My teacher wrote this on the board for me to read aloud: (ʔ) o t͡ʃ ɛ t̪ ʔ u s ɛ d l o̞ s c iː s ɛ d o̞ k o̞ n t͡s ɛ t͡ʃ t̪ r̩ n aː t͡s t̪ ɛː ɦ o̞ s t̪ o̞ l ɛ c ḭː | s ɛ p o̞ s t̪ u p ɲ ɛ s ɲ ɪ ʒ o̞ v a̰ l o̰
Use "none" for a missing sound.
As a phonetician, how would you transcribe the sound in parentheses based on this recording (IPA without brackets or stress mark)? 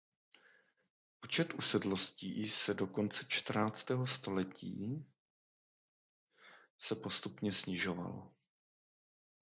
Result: p